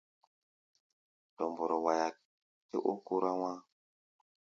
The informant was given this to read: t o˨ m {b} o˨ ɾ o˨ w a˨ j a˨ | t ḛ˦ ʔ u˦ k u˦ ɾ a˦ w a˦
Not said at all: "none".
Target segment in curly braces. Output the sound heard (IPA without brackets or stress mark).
b